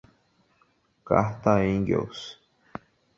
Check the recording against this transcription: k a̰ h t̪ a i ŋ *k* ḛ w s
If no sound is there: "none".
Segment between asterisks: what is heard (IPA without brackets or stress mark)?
ɡ